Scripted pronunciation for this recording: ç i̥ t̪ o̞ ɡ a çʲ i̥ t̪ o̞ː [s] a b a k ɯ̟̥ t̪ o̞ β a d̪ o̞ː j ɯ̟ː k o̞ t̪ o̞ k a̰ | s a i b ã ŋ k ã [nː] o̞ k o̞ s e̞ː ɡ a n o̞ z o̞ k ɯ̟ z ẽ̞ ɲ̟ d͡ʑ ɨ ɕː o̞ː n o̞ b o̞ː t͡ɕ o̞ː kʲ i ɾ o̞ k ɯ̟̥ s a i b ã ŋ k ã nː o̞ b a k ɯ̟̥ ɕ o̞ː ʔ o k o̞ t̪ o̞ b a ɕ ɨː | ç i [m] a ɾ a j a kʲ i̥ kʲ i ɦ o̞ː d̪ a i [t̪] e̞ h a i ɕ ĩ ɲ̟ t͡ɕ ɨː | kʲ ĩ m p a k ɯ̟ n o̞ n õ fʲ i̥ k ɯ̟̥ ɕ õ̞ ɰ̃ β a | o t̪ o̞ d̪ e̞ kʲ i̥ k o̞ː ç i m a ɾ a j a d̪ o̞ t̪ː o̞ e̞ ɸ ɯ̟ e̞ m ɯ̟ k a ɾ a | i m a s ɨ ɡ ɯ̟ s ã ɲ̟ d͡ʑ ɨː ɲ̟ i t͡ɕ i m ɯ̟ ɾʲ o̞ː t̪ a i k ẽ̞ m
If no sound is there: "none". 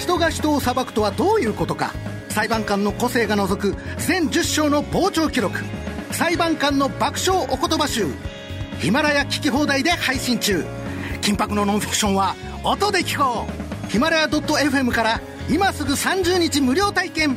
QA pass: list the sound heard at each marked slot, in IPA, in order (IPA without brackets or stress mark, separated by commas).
s, nː, m, d̪